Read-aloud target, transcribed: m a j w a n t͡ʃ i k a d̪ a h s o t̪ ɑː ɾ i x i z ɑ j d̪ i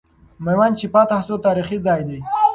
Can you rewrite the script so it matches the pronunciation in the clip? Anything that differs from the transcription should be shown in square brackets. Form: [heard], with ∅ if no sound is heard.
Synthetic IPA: m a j w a n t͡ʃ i [p] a [t̪] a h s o t̪ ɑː ɾ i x i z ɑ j d̪ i